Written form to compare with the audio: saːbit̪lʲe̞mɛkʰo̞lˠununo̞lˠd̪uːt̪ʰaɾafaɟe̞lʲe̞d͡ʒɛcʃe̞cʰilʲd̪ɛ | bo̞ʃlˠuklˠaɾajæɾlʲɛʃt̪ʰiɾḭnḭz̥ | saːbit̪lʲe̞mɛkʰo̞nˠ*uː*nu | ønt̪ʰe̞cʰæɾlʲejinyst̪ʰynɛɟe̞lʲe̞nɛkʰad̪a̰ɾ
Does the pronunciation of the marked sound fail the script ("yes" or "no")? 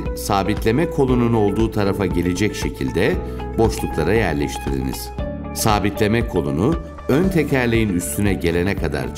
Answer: yes